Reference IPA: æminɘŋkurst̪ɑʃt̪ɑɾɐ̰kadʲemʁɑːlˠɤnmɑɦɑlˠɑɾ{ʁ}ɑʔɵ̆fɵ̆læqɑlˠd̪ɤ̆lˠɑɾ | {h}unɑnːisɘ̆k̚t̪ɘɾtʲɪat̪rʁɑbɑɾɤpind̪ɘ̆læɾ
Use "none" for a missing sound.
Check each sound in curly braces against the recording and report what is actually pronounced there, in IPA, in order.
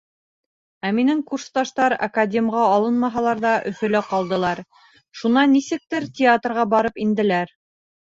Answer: ð, ʃ

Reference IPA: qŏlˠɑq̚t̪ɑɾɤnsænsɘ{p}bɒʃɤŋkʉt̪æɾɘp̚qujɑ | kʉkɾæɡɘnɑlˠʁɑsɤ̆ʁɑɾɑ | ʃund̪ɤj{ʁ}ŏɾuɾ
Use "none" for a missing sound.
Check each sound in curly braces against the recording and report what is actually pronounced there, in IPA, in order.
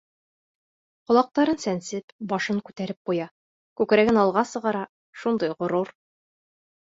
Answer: p, ʁ

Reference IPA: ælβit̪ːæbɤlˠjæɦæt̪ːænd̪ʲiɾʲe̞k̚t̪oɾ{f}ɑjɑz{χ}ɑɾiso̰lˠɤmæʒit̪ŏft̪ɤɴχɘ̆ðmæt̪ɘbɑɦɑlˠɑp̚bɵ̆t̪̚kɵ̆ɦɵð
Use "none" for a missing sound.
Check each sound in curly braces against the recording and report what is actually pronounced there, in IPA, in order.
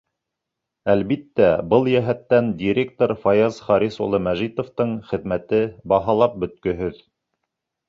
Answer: f, χ

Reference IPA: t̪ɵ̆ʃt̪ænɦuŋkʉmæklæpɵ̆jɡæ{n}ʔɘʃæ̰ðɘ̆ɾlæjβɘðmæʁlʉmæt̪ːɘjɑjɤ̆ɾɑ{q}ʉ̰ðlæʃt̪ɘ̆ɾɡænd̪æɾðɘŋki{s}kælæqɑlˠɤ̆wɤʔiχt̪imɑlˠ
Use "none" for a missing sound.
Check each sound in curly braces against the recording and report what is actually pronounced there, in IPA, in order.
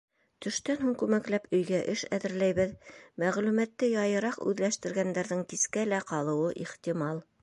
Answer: none, q, s

